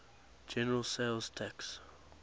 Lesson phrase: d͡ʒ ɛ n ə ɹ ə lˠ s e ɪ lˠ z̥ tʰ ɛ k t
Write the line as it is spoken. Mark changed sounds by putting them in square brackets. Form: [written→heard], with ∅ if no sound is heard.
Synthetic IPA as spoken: d͡ʒ ɛ n ə ɹ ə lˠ s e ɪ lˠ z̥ tʰ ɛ k [t→s]